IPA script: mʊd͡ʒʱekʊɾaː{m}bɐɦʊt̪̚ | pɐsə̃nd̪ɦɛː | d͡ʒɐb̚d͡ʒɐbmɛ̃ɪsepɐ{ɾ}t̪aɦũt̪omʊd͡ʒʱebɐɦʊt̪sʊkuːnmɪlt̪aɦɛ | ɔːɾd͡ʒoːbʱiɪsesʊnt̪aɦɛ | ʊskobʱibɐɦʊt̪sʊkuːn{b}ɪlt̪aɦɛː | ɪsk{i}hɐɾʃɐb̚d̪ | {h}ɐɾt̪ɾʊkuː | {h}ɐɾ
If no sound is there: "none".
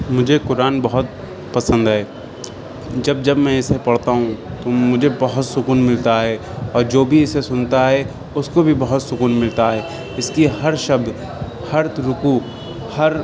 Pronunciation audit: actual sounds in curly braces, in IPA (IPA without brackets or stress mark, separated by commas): n, ɽ, m, i, h, h